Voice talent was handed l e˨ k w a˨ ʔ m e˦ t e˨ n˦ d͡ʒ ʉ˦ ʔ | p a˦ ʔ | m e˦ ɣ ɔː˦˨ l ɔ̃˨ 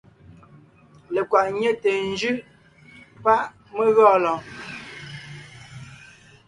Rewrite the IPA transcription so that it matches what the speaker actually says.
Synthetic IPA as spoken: l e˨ k w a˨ ʔ ɲ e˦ t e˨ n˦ d͡ʒ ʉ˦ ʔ | p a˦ ʔ | m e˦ ɣ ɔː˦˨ l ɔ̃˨